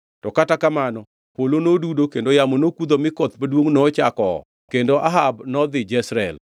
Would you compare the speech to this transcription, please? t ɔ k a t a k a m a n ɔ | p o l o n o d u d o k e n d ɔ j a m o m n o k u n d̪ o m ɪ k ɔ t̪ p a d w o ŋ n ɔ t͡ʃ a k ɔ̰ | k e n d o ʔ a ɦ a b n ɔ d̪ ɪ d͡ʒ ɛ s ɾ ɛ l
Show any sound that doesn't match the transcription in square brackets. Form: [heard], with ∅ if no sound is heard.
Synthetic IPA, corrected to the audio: t ɔ k a t a k a m a n ɔ | p o l o n o d u d o k e n d [o] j a m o [∅] n o k u [∅] d̪ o m ɪ k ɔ t̪ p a d w o ŋ n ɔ t͡ʃ a k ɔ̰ | k e n d o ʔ a ɦ a b n ɔ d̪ ɪ d͡ʒ ɛ s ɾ ɛ l